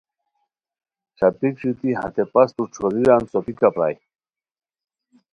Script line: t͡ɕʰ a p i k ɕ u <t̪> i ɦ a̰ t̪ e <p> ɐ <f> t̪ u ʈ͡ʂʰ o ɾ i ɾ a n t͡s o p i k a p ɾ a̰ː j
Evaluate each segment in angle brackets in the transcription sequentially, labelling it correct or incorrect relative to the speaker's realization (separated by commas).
correct, correct, incorrect